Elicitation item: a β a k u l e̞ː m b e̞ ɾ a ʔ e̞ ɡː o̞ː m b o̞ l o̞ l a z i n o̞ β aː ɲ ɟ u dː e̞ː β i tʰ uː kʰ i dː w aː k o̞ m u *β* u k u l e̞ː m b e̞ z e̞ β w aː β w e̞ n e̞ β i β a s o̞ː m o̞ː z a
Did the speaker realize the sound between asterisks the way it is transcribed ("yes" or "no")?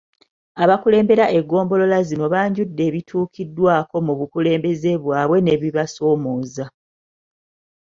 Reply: yes